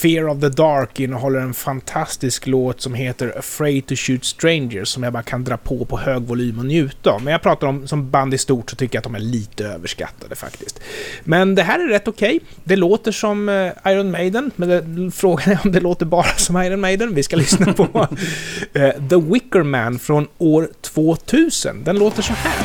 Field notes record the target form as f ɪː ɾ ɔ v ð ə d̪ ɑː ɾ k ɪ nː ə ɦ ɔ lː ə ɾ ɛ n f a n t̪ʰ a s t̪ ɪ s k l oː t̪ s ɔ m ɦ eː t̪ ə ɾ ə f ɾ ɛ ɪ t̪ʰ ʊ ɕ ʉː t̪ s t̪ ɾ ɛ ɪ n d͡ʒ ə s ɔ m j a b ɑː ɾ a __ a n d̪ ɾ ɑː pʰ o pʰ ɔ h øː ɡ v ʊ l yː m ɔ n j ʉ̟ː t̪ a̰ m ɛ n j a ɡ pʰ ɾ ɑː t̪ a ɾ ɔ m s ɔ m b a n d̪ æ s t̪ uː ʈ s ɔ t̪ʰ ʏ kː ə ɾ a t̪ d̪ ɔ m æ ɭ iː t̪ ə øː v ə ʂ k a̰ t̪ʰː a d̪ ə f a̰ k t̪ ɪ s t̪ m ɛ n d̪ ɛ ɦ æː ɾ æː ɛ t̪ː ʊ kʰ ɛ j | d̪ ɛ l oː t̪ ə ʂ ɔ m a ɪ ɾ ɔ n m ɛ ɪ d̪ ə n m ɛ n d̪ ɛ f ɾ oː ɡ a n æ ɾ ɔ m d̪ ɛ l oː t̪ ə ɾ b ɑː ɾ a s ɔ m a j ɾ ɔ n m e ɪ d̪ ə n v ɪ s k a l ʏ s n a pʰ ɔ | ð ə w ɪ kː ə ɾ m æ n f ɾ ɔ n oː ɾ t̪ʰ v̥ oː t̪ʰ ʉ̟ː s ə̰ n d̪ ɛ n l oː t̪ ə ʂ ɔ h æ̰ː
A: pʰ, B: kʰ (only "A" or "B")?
B